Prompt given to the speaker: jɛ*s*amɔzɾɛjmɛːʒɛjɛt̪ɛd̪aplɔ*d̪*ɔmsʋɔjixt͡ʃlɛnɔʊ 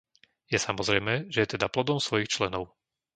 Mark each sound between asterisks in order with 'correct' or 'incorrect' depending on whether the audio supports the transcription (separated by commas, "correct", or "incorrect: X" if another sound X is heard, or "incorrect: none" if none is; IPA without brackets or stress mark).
correct, correct